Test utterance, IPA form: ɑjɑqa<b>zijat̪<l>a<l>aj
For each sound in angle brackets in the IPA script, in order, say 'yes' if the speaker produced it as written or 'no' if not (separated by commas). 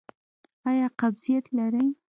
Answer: yes, yes, no